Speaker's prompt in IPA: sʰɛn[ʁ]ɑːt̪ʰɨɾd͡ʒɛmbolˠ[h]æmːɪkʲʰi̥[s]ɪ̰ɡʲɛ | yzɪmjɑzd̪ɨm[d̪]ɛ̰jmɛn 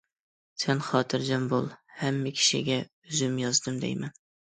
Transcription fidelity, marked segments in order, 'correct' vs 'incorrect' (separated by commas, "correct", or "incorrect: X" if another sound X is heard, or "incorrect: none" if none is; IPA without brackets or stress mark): incorrect: χ, correct, incorrect: ʃ, correct